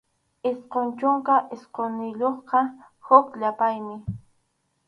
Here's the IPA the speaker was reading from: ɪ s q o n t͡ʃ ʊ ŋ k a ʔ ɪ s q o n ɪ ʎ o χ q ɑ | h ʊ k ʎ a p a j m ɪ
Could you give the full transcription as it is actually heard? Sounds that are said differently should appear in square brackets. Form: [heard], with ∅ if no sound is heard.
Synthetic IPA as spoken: ɪ s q o n t͡ʃ ʊ ŋ k a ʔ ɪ s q o n ɪ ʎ o χ q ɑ | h ʊ k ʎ a p a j m ɪ